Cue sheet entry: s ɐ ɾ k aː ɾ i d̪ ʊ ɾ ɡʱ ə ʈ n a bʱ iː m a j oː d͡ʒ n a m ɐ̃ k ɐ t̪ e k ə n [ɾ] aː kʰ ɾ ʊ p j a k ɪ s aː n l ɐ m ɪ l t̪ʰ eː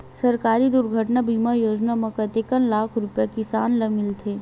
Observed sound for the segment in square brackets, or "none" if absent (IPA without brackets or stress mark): l